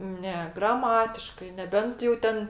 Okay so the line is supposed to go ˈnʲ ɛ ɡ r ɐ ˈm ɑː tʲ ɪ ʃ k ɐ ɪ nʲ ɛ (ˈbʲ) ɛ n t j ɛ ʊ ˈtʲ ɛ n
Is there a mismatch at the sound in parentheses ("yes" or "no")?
no